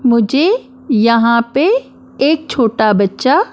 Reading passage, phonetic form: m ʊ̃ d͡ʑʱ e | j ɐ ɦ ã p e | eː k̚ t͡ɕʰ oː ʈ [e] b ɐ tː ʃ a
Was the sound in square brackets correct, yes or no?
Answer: no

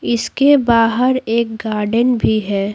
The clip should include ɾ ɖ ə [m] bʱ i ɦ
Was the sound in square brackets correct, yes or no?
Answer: no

